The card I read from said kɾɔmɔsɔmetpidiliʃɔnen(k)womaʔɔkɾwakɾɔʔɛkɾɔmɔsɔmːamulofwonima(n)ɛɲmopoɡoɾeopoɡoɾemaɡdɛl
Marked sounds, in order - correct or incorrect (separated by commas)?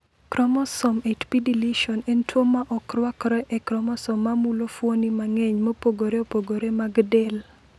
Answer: incorrect, incorrect